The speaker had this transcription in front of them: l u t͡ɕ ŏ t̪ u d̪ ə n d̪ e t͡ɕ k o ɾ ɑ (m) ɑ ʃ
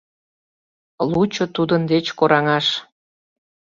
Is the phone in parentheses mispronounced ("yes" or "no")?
yes